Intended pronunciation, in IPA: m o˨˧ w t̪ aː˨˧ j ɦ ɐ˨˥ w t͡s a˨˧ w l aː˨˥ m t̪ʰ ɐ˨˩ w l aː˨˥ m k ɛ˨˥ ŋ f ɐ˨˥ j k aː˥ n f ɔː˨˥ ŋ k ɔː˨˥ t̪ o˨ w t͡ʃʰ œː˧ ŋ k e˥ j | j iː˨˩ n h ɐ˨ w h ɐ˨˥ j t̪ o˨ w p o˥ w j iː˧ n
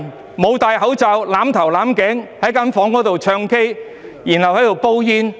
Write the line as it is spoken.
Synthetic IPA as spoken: m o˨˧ w t̪ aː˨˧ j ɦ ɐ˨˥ w t͡s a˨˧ w l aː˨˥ m t̪ʰ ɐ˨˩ w l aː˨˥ m k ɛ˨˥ ŋ h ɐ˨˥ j k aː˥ n f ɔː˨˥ ŋ k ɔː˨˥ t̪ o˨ w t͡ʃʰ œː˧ ŋ k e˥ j | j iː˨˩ n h ɐ˨ w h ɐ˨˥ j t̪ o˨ w p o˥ w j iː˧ n